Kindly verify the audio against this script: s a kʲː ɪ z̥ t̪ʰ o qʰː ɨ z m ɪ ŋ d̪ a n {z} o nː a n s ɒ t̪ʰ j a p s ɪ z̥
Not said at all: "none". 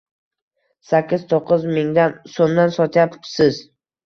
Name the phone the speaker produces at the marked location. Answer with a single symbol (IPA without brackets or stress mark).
s